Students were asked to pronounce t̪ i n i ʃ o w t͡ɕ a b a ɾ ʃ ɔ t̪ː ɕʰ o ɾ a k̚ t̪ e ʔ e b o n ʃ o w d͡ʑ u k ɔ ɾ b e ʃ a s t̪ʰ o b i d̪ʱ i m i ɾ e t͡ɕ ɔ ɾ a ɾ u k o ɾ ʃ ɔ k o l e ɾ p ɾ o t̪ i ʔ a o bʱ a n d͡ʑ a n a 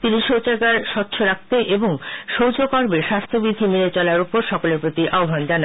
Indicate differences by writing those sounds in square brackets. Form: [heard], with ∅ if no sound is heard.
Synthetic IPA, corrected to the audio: t̪ i n i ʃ o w t͡ɕ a [ɡ] a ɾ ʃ ɔ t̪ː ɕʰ o ɾ a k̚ t̪ e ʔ e b o [ŋ] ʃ o w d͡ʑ [o] k ɔ ɾ b e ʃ a s t̪ʰ o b i d̪ʱ i m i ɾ e t͡ɕ ɔ [l] a ɾ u [p] o ɾ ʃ ɔ k o l e ɾ p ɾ o t̪ i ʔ a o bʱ a n d͡ʑ a n a